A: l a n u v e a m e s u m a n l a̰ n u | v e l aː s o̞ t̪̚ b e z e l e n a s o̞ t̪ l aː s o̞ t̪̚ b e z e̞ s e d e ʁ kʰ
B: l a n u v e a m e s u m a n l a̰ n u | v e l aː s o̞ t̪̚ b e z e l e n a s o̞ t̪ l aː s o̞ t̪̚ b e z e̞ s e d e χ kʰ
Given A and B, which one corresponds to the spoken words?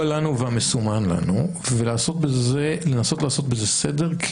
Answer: A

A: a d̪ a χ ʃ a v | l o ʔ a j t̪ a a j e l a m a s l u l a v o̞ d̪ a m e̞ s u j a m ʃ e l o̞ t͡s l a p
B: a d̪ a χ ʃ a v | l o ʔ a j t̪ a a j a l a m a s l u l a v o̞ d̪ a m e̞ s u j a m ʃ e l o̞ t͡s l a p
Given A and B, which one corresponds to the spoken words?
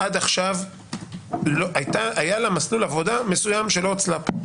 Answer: B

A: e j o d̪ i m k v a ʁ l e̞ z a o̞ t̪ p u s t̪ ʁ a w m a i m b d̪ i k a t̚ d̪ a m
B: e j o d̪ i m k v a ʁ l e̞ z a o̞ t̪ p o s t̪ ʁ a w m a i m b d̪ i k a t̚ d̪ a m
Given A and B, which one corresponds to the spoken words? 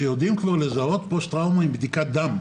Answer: B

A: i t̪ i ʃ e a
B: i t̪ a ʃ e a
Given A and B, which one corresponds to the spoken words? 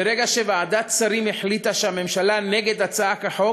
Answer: B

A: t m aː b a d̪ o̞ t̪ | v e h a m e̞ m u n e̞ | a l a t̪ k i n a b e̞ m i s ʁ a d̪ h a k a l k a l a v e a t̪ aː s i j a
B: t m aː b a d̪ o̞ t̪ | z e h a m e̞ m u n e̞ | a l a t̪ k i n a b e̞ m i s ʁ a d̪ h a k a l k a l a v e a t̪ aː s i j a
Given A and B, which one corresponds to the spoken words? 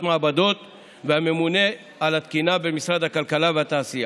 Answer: A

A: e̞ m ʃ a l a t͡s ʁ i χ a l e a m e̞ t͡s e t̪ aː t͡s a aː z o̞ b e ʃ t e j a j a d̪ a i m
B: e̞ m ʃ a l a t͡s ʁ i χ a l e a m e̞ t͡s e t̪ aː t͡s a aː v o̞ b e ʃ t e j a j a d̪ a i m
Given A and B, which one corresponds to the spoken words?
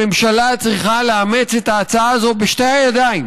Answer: A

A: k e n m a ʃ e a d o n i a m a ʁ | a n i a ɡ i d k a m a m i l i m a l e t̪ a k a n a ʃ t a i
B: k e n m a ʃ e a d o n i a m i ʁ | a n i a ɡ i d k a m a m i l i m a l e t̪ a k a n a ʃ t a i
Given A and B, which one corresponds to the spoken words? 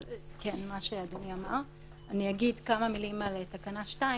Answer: A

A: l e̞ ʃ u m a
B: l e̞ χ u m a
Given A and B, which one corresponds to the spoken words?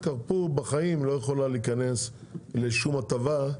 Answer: A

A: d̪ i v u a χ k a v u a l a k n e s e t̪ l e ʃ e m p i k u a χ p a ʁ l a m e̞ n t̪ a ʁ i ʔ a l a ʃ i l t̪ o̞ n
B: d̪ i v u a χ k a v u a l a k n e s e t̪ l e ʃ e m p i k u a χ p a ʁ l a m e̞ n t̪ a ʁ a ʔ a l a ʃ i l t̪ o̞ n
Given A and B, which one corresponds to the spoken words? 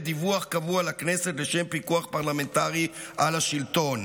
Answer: A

